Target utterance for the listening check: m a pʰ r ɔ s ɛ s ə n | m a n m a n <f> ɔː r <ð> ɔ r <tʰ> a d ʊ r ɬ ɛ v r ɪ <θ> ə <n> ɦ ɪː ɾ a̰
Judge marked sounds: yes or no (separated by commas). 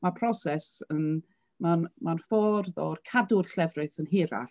yes, yes, no, yes, yes